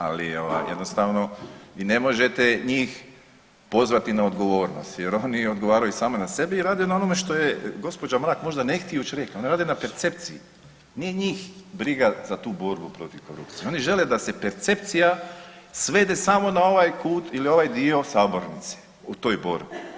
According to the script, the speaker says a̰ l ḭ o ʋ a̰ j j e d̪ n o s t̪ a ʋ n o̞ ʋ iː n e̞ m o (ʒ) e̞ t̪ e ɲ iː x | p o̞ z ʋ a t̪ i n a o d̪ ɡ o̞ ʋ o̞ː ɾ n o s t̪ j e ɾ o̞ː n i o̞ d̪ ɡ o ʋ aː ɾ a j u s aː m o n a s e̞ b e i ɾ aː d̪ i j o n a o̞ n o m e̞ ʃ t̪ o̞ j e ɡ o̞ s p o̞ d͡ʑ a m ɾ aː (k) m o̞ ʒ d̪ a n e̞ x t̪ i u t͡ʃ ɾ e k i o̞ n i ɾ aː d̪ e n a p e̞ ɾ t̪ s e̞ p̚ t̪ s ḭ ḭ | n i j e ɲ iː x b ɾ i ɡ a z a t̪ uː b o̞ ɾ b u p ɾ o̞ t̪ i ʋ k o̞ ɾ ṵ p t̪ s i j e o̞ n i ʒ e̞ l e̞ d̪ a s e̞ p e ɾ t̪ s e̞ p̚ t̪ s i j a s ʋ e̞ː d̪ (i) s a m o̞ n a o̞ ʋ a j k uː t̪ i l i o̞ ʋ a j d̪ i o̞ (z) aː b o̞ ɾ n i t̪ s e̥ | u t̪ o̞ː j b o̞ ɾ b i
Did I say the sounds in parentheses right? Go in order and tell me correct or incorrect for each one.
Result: correct, correct, incorrect: e, incorrect: s

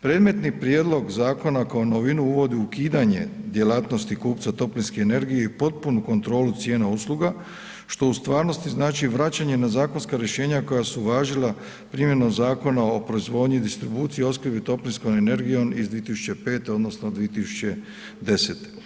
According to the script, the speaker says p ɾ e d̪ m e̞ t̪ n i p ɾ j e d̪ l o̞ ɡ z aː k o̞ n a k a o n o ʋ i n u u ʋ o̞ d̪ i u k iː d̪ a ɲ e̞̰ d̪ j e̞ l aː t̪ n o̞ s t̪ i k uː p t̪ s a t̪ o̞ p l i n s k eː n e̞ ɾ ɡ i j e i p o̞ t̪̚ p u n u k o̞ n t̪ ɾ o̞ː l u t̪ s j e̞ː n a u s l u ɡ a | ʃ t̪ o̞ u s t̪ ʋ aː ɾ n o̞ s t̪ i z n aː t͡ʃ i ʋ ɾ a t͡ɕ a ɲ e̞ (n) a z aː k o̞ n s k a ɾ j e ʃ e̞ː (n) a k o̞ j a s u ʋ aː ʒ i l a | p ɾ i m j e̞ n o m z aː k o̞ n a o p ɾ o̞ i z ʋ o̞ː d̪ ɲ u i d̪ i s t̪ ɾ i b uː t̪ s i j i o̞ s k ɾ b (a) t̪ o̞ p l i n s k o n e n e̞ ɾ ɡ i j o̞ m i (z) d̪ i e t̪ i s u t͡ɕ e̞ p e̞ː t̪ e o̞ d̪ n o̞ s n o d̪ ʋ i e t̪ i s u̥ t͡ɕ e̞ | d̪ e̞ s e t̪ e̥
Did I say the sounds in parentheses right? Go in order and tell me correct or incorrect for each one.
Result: correct, incorrect: ɲ, incorrect: i, correct

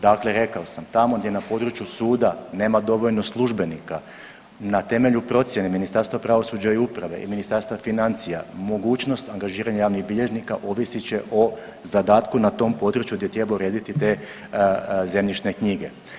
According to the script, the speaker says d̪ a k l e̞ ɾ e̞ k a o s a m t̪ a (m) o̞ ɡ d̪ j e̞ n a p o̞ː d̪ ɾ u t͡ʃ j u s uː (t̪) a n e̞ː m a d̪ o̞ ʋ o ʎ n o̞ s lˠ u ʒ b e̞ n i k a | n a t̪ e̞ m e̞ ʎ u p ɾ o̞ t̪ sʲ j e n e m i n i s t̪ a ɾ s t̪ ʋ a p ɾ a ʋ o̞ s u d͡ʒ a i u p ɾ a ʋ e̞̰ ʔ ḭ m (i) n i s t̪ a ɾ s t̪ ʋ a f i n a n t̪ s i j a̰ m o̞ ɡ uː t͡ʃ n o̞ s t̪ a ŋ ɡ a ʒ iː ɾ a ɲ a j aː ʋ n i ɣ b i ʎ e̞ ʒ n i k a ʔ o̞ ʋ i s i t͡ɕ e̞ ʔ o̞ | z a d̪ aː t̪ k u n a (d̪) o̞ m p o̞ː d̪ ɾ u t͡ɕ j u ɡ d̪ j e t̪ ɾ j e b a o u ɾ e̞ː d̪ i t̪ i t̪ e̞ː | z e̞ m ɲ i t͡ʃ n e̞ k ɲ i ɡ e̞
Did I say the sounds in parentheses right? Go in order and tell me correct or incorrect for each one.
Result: correct, incorrect: d̪, correct, incorrect: t̪

